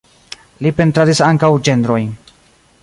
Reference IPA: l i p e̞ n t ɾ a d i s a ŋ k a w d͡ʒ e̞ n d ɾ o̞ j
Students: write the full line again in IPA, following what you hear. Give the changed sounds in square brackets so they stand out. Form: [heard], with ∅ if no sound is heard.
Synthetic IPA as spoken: l i p e̞ n t ɾ a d i s a ŋ k a w d͡ʒ e̞ n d ɾ o̞ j